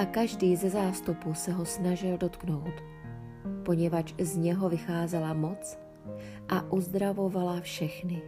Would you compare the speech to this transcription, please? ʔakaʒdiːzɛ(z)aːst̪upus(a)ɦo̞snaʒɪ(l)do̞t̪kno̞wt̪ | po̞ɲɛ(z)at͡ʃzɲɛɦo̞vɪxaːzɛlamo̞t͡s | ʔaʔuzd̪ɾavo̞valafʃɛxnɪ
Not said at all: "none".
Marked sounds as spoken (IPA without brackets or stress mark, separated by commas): z, ɛ, l, v